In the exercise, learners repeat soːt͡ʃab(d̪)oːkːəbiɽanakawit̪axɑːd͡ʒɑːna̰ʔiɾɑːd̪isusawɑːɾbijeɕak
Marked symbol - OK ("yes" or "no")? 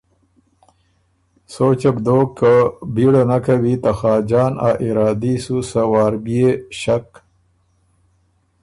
yes